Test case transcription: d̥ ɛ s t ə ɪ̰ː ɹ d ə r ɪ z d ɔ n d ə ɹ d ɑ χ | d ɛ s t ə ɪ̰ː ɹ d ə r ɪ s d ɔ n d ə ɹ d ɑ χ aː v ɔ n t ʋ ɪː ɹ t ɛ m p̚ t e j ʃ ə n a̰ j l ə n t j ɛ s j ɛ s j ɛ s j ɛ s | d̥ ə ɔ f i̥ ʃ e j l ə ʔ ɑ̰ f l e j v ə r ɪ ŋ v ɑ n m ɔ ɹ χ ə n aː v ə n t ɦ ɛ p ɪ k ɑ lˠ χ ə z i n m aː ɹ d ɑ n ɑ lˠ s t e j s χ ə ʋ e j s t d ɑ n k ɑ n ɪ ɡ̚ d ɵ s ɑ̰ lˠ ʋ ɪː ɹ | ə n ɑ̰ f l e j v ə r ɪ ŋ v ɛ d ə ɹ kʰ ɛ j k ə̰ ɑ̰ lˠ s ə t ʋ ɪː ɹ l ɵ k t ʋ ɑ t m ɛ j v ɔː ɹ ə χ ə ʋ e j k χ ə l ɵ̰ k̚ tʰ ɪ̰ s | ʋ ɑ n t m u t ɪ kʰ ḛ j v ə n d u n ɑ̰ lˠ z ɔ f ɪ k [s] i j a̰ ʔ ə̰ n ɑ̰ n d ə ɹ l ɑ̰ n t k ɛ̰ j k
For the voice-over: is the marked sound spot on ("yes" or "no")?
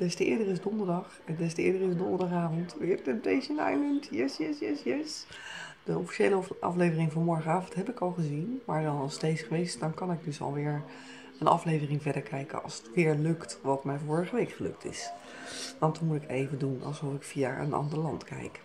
no